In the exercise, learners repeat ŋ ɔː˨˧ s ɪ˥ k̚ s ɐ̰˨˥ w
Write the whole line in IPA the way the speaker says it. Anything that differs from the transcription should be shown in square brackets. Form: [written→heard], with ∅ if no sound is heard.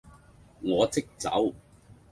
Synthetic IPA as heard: ŋ ɔː˨˧ [s→t͡s] ɪ˥ k̚ [s→t͡s] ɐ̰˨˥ w